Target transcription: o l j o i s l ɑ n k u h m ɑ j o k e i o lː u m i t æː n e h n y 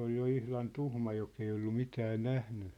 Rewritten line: o l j o i h l ɑ n t u h m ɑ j o k e i o lː u m i t æː n æ h n y